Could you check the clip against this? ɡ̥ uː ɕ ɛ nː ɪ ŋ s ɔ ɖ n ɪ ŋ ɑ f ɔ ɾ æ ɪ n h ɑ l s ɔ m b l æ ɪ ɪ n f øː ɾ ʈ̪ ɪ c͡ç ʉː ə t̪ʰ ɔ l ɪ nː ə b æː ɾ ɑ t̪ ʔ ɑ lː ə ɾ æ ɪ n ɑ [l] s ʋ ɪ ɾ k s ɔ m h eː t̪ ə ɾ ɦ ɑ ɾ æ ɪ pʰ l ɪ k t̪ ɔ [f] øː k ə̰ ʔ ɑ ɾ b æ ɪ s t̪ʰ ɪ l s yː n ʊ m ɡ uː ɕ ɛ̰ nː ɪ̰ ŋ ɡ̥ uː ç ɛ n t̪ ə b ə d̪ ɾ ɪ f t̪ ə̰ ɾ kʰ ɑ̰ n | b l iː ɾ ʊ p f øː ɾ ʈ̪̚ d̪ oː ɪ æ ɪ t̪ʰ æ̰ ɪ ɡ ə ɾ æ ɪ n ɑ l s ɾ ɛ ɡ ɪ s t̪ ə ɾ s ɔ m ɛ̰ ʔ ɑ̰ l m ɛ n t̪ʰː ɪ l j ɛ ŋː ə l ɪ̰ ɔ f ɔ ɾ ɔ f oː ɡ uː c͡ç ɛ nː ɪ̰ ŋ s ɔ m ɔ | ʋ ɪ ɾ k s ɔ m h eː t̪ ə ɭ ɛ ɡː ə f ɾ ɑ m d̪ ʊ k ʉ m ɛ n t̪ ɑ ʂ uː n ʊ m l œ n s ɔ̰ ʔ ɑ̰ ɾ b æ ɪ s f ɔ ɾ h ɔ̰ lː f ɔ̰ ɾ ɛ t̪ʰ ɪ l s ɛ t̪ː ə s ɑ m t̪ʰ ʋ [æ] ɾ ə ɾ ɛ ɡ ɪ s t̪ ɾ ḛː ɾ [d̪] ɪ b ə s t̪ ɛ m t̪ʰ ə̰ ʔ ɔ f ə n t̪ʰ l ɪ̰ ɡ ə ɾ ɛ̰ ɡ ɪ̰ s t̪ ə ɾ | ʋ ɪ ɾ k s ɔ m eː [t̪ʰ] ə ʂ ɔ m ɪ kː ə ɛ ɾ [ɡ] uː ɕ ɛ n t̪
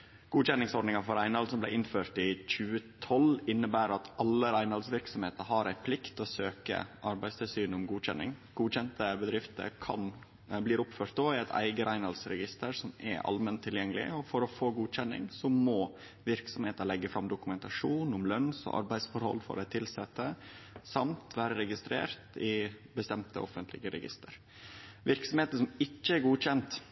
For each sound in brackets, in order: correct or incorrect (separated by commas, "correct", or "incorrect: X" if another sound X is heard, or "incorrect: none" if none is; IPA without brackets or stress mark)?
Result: correct, incorrect: s, incorrect: æː, incorrect: t̪, incorrect: t̪, correct